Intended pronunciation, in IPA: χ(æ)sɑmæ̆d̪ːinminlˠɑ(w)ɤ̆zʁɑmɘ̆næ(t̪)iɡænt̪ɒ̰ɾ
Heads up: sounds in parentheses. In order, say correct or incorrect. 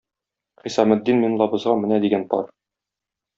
incorrect, incorrect, incorrect

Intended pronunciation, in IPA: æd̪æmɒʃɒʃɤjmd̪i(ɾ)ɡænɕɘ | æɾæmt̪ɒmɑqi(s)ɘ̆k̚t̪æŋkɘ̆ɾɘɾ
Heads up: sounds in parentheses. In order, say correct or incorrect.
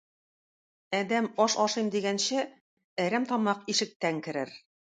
incorrect, incorrect

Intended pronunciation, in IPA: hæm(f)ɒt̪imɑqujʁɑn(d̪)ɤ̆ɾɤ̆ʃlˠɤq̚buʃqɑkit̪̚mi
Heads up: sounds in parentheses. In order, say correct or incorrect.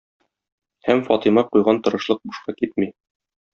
correct, incorrect

